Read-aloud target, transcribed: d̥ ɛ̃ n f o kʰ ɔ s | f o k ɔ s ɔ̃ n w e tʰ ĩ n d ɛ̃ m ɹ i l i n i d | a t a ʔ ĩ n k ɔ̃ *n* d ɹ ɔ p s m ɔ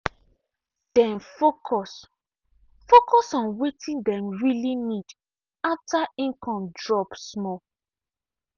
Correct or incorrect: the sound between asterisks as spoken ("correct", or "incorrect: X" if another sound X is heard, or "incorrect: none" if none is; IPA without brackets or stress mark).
incorrect: m